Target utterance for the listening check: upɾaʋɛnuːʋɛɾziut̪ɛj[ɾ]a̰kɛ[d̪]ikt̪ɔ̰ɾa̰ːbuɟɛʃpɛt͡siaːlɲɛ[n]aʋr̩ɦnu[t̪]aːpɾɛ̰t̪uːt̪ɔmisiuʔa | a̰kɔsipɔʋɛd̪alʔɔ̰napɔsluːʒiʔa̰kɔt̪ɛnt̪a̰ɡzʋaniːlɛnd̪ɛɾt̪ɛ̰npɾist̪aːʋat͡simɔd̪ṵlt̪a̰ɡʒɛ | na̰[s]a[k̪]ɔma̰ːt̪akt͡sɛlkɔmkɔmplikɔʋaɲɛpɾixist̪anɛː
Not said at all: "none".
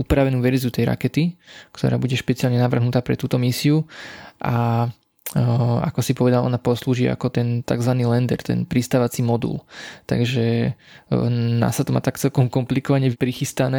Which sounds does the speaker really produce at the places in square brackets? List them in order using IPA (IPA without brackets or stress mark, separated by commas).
ɾ, t̪, n, t̪, s, t̪